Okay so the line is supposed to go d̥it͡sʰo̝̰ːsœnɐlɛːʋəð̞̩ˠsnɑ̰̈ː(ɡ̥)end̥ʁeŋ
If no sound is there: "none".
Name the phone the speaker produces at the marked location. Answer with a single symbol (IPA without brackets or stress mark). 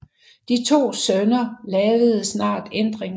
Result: d̥